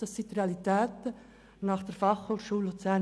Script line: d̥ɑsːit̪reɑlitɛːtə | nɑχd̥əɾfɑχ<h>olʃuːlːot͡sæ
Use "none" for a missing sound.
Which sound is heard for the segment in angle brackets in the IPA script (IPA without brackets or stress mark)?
h